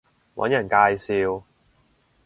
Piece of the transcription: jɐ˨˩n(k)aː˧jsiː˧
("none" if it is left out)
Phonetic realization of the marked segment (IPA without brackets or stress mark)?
k